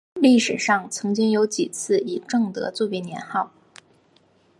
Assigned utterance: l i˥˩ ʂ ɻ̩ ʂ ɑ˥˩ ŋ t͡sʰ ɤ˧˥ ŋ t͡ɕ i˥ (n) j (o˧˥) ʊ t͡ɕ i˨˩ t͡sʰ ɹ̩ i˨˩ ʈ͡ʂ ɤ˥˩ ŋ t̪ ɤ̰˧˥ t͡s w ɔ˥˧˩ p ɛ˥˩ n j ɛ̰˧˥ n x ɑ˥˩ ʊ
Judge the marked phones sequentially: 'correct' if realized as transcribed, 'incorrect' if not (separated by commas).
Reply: incorrect, correct